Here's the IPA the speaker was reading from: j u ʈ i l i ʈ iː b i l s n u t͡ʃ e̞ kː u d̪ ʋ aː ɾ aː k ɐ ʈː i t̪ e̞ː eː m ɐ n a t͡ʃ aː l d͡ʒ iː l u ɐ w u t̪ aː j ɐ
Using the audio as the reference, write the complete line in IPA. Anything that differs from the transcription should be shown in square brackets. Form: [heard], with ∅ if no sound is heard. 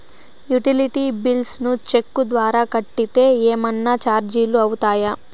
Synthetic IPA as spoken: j u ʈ i l i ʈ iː b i l s n u t͡ʃ e̞ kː u d̪ ʋ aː ɾ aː k ɐ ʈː i t̪ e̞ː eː m ɐ [nː] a t͡ʃ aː [ɾ] d͡ʒ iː l u ɐ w u t̪ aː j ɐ